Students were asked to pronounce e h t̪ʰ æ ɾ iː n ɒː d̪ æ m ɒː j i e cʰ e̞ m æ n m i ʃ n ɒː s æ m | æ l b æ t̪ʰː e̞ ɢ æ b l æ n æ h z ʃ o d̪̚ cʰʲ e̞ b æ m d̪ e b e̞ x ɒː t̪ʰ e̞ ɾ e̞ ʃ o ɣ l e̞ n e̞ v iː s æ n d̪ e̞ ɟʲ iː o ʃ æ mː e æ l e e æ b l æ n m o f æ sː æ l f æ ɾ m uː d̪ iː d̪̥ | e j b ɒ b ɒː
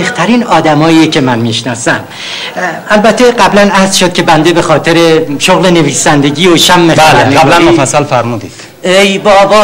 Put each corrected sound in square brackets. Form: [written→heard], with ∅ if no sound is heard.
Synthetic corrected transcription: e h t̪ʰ æ ɾ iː n ɒː d̪ æ m ɒː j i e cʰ e̞ m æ n m i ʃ n ɒː s æ m | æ l b æ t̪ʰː e̞ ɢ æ b l æ n æ h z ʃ o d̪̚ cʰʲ e̞ b æ [m→n] d̪ e b e̞ x ɒː t̪ʰ e̞ ɾ e̞ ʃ o ɣ l e̞ n e̞ v iː s æ n d̪ e̞ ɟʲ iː o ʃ æ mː e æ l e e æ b l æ n m o f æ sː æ l f æ ɾ m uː d̪ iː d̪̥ | e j b ɒ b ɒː